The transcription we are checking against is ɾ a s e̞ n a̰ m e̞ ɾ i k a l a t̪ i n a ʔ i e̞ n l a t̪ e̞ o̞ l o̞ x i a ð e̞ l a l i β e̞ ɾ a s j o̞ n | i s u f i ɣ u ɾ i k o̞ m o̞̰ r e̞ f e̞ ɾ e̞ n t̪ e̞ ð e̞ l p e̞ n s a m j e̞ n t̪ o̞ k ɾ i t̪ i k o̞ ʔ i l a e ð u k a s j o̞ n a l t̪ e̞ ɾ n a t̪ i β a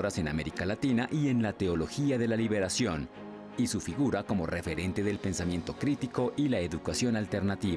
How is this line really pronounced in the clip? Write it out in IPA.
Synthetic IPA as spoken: ɾ a s e̞ n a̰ m e̞ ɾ i k a l a t̪ i n a ʔ i e̞ n l a t̪ e̞ o̞ l o̞ x i a ð e̞ l a l i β e̞ ɾ a s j o̞ n | i s u f i ɣ u ɾ a k o̞ m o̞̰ r e̞ f e̞ ɾ e̞ n t̪ e̞ ð e̞ l p e̞ n s a m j e̞ n t̪ o̞ k ɾ i t̪ i k o̞ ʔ i l a e ð u k a s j o̞ n a l t̪ e̞ ɾ n a t̪ i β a